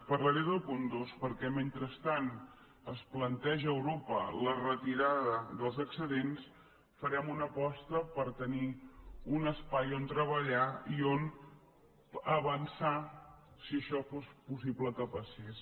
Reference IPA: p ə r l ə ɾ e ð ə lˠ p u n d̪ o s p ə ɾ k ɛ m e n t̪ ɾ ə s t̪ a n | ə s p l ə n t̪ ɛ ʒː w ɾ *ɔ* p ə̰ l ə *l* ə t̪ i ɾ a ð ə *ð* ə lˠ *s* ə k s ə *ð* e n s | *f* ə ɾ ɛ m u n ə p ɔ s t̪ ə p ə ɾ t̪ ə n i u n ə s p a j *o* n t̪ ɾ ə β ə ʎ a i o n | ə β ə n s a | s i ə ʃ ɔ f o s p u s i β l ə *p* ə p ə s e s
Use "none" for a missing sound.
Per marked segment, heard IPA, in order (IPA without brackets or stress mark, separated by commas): o, r, ð, z, ð, f, o, k